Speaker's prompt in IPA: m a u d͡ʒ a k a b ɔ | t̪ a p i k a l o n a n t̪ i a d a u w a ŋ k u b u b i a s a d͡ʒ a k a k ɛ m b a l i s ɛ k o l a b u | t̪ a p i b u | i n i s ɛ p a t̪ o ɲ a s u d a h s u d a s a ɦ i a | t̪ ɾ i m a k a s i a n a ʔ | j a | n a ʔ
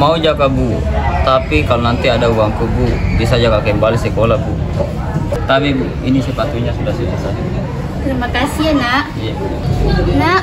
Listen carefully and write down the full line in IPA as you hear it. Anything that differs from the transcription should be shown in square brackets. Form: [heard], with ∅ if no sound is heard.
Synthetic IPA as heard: m a u d͡ʒ a k a b [u] | t̪ a p i k a l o n a n t̪ i a d a u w a ŋ k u b u b i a s a d͡ʒ a k a k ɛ m b a l i s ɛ k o l a b u | t̪ a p i b u | i n i s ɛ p a t̪ [u] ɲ a s u d a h s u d a s a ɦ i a | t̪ ɾ i m a k a s i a n a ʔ | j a | n a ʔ